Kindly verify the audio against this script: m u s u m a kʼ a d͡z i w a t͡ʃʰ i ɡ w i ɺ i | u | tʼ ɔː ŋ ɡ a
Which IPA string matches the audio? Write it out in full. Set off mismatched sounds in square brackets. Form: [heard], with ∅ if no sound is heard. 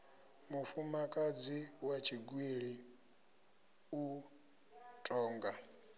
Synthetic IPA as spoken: m u [f] u m a kʼ a d͡z i w a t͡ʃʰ i ɡ w i ɺ i | u | tʼ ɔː ŋ ɡ a